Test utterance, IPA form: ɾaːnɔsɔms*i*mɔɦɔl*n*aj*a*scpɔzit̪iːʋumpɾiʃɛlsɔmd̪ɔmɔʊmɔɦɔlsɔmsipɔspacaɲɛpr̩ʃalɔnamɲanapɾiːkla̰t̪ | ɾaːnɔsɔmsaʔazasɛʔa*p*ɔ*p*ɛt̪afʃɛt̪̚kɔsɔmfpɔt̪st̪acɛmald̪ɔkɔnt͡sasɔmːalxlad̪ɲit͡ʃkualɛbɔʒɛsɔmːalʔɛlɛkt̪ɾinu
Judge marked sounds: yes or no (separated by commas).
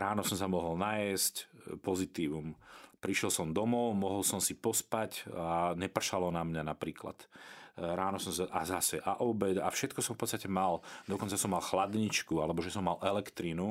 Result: no, yes, no, no, no